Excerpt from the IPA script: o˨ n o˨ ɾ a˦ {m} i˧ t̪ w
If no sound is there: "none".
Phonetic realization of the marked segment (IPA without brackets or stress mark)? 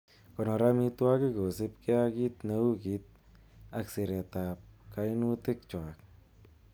m